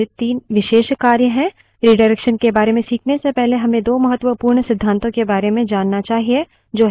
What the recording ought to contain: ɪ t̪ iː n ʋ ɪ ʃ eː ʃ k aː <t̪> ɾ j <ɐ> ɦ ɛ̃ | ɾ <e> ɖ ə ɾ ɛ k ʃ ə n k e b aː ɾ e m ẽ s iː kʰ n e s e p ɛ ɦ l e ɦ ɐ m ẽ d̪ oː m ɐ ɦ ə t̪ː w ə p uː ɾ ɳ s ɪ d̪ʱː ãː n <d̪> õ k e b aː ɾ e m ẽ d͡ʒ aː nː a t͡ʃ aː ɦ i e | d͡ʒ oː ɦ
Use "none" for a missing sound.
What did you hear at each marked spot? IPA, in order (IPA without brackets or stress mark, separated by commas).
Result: none, ə, i, t̪